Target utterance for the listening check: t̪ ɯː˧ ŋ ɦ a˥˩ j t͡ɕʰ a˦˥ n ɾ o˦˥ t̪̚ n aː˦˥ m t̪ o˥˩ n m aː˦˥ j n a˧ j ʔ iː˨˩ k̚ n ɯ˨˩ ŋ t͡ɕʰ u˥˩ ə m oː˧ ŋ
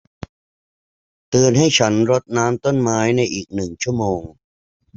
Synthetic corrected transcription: t̪ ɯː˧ n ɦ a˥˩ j t͡ɕʰ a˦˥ n ɾ o˦˥ t̪̚ n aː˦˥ m t̪ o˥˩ n m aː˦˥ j n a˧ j ʔ iː˨˩ k̚ n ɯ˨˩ ŋ t͡ɕʰ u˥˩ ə m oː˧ ŋ